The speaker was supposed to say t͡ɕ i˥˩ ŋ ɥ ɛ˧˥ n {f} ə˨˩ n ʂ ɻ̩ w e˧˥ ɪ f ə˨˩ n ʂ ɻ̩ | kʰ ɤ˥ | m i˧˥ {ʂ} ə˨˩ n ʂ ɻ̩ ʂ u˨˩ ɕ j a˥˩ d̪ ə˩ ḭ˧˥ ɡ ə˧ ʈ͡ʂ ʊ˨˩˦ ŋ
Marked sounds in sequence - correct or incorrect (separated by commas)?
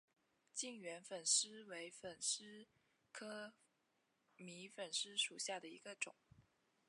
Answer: correct, incorrect